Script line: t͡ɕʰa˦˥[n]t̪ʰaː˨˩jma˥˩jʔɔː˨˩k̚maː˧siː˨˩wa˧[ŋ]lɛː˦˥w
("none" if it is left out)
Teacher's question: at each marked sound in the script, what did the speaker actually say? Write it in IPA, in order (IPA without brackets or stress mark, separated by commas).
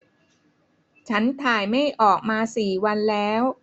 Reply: n, n